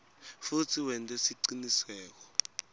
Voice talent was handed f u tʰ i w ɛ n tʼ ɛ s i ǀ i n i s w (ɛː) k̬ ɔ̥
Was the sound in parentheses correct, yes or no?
yes